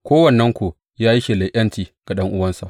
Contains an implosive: yes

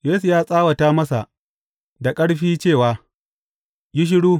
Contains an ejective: yes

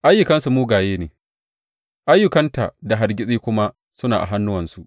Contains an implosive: no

